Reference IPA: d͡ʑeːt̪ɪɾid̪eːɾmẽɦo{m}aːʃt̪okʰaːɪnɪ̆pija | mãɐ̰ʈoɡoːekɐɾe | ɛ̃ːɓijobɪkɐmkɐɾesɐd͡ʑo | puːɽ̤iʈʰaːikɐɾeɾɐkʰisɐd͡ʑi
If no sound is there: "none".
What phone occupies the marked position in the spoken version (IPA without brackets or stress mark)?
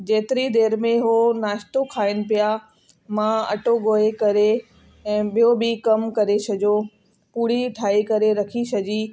n